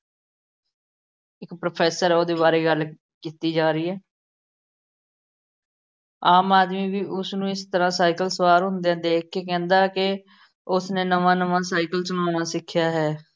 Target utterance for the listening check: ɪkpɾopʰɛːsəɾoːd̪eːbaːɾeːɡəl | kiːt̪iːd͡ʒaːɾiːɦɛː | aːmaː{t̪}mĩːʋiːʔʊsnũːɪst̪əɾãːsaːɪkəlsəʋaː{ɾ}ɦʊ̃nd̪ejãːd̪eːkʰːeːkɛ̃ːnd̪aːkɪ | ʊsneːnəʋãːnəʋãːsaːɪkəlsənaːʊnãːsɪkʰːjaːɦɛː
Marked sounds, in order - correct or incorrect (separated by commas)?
incorrect, correct